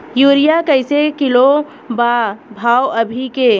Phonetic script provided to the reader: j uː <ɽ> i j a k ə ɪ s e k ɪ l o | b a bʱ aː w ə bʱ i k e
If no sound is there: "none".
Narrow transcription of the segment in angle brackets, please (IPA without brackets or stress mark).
ɾ